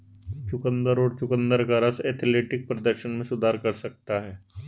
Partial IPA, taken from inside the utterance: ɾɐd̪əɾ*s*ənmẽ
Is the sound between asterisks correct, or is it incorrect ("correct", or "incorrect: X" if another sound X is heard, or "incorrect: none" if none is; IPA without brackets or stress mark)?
incorrect: ʃ